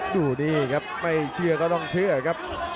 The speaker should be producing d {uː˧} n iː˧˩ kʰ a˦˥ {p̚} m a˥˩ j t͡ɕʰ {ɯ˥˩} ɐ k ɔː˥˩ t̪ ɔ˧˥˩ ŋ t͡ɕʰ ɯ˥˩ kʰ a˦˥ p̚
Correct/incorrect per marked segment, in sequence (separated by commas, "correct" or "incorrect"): incorrect, correct, incorrect